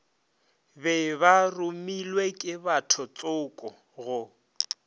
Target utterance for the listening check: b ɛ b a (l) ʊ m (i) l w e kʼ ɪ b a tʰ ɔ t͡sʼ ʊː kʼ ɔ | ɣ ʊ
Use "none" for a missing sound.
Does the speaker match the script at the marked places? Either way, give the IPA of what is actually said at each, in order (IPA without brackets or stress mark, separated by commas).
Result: r, i